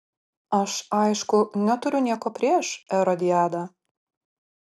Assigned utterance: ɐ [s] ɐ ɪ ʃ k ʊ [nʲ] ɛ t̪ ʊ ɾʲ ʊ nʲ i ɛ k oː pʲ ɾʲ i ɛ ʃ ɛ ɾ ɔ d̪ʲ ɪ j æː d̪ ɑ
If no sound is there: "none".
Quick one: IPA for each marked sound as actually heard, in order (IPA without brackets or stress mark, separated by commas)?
ʃ, nʲ